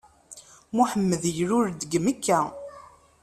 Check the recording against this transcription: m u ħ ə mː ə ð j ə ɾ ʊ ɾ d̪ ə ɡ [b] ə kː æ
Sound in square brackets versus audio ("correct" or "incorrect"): incorrect